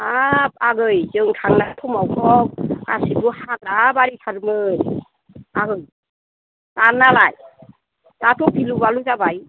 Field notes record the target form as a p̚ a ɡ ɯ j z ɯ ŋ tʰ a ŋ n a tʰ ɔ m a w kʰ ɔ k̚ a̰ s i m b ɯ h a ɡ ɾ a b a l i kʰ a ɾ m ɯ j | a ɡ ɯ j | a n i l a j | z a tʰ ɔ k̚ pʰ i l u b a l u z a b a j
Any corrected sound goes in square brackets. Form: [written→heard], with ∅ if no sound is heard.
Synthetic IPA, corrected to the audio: a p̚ a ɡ ɯ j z ɯ ŋ tʰ a ŋ n a tʰ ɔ m a w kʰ ɔ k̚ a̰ s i [m→∅] b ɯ h a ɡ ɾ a b a [l→ɾ] i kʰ a ɾ m ɯ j | a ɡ ɯ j | a n [i→a] l a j | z a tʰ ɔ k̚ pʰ i l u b a l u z a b a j